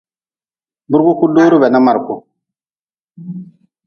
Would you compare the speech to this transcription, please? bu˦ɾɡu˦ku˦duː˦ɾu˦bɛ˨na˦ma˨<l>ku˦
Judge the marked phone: incorrect: ɾ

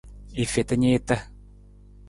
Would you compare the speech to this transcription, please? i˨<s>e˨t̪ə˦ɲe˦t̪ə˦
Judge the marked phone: incorrect: f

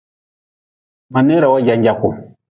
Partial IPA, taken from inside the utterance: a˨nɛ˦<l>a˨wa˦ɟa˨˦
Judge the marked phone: incorrect: ɾ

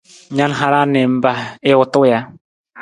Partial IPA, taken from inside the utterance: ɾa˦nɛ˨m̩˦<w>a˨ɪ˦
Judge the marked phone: incorrect: b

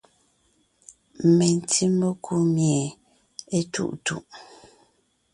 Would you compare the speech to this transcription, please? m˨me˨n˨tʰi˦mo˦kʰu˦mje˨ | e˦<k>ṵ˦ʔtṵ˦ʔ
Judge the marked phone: incorrect: t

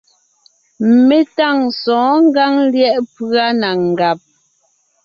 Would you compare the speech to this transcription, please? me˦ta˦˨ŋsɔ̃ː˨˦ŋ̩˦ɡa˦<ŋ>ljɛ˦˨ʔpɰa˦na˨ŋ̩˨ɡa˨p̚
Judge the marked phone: correct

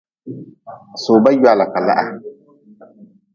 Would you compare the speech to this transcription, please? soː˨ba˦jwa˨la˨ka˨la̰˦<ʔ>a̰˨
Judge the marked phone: correct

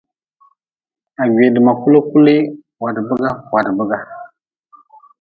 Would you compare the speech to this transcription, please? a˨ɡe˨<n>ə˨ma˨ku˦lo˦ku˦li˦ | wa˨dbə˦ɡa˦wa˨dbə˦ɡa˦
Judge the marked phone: incorrect: d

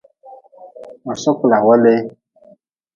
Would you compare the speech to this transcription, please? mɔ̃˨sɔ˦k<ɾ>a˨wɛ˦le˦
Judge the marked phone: incorrect: l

